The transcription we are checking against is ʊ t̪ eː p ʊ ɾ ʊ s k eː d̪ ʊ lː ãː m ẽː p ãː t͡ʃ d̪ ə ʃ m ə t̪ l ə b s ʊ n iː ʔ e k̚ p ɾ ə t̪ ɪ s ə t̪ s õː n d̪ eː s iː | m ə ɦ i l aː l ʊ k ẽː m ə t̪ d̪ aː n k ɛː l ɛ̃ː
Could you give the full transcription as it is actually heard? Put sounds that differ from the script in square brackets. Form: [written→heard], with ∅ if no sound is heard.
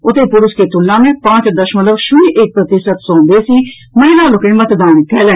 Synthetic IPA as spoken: ʊ t̪ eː p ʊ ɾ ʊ s k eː [d̪→t̪] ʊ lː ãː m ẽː p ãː t͡ʃ d̪ ə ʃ m ə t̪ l ə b [s→ʃ] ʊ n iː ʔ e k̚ p ɾ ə t̪ ɪ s ə t̪ s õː n d̪ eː s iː | m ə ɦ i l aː l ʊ k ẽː m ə t̪ d̪ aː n k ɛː l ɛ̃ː